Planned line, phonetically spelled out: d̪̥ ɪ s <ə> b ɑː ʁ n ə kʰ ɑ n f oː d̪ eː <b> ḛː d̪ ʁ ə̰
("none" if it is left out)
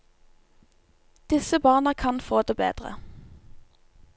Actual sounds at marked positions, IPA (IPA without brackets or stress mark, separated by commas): ə, b